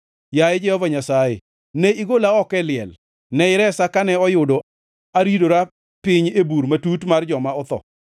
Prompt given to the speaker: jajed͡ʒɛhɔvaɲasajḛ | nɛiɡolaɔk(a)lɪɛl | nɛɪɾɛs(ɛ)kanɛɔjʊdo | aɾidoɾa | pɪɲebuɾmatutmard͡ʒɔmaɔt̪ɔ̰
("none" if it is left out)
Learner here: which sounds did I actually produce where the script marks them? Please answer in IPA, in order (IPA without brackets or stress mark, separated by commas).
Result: ɛ, a